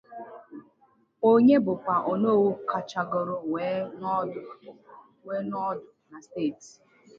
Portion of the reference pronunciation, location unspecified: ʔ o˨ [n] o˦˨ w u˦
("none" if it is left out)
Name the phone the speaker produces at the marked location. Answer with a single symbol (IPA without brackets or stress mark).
n